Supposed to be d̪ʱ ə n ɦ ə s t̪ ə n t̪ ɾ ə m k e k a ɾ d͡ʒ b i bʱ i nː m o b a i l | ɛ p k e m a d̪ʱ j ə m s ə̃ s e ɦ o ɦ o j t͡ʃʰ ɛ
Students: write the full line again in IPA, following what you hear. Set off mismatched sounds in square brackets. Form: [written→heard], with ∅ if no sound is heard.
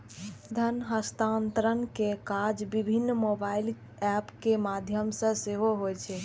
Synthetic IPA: d̪ʱ ə n ɦ ə s t̪ [ə→a] n t̪ ɾ ə [m→n] k e k a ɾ d͡ʒ b i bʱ i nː m o b a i l | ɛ p k e m a d̪ʱ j ə m s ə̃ s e ɦ o ɦ o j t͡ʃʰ ɛ